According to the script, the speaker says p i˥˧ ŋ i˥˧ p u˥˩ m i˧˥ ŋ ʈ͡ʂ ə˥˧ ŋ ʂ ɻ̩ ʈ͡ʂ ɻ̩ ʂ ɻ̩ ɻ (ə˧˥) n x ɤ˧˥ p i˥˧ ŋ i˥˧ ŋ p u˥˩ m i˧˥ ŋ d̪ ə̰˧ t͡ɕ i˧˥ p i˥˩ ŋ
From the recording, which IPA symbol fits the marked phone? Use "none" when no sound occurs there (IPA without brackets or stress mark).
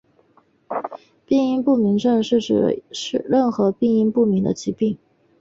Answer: ə˥˩